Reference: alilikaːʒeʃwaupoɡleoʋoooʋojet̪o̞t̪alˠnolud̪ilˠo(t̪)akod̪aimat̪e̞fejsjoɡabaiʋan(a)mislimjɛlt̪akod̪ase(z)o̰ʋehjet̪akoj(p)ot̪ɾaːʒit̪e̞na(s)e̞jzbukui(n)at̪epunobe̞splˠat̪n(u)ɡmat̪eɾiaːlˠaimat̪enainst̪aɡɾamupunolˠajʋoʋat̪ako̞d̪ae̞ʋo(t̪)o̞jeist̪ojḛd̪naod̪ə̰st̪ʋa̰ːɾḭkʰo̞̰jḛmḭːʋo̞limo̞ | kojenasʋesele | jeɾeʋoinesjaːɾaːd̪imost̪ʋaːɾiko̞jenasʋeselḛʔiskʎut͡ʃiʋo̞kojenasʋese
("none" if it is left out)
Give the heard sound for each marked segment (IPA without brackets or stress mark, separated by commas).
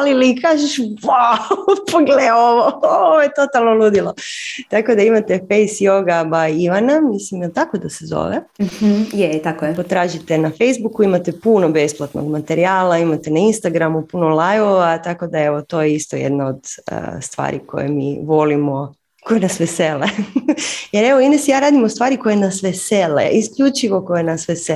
t̪, a, z, p, f, m, o, t̪